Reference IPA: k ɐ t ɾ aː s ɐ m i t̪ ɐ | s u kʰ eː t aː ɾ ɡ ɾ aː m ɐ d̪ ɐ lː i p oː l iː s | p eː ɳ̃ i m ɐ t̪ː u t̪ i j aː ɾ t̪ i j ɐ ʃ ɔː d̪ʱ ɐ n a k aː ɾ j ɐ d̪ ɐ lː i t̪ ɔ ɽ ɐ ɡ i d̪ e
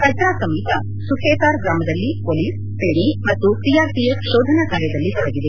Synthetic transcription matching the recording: k ɐ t ɾ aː s ɐ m i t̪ ɐ | s u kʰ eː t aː ɾ ɡ ɾ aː m ɐ d̪ ɐ lː i p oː l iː s | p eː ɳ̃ i m ɐ t̪ː u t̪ i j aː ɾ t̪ i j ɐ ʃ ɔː d̪ʱ ɐ n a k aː ɾ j ɐ d̪ ɐ lː i t̪ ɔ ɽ ɐ ɡ i d̪ e